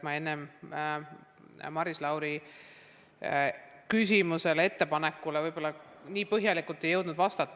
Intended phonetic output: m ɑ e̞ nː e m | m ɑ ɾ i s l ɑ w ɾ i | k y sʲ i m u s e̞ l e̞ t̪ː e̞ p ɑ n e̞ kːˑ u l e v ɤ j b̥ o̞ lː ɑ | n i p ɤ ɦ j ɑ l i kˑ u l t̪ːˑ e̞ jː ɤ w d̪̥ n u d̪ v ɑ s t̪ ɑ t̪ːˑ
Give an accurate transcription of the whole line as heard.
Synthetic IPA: m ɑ e̞ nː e m | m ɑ ɾ i s l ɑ w ɾ i | k y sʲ i m u s e̞ l e̞ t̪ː e̞ p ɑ n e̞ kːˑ u l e v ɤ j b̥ o̞ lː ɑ | n iː p ɤ ɦ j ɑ l i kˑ u l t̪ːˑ e̞ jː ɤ w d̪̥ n u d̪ v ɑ s t̪ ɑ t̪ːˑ